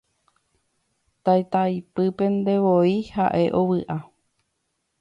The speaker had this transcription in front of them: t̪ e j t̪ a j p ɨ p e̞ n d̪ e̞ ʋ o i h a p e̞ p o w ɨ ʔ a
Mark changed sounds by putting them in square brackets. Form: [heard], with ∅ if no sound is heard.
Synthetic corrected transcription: t̪ [a] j t̪ a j p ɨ p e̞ n d̪ e̞ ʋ o i h a [ʔ] e̞ [ʔ] o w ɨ ʔ a

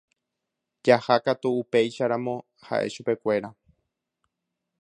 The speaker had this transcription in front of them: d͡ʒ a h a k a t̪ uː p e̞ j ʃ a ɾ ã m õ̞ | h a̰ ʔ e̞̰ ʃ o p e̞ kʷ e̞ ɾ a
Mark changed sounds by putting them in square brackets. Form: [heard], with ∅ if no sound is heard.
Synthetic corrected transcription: d͡ʒ a h a k a t̪ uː p e̞ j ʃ a ɾ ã m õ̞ | h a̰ ʔ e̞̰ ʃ [u] p e̞ kʷ e̞ ɾ a

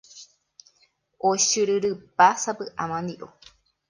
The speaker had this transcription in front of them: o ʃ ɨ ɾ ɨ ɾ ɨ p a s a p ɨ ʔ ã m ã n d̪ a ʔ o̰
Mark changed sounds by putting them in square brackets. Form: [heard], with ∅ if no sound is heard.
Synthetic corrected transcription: o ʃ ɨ ɾ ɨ ɾ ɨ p a s a p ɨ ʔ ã m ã n d̪ [i] ʔ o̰

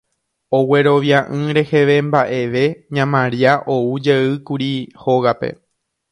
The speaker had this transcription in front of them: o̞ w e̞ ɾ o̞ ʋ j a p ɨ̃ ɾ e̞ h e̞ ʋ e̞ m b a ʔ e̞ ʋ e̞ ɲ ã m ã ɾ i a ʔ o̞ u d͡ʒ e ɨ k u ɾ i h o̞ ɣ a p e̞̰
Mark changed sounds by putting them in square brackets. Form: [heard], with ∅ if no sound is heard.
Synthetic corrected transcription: o̞ w e̞ ɾ o̞ ʋ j a [ʔ] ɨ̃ ɾ e̞ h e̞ ʋ e̞ m b a ʔ e̞ ʋ e̞ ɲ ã m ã ɾ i a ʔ o̞ u d͡ʒ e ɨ k u ɾ i h o̞ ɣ a p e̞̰

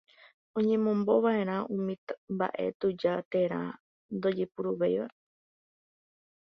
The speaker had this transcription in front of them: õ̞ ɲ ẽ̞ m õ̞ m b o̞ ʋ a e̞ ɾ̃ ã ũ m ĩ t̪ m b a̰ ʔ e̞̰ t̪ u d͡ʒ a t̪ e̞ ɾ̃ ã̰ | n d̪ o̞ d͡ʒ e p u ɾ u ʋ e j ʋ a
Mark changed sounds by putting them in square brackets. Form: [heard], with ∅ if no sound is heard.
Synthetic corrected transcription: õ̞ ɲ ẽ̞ m õ̞ m b o̞ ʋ a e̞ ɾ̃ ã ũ m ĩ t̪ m b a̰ ʔ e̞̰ t̪ u d͡ʒ a t̪ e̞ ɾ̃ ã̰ | n d̪ o̞ d͡ʒ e p u ɾ u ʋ e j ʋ a

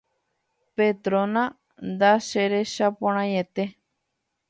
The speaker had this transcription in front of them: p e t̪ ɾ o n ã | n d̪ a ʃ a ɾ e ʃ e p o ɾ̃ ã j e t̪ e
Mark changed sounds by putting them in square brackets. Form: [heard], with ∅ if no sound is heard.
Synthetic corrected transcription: p e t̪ ɾ o n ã | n d̪ a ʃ [e] ɾ e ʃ [a] p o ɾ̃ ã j e t̪ e

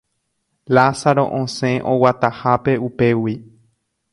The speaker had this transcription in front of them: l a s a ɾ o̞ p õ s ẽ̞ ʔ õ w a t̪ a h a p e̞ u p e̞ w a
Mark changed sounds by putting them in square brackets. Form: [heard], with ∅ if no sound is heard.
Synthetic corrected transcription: l a s a ɾ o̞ [ʔ] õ s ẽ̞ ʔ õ w a t̪ a h a p e̞ u p e̞ w [i]

